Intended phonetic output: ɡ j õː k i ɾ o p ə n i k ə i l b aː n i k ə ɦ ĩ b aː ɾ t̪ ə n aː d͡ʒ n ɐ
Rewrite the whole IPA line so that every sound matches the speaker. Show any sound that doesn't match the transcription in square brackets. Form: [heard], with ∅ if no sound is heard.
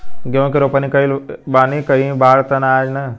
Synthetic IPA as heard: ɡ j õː k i ɾ o p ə n i k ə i l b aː n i k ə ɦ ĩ b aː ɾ t̪ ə n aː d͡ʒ n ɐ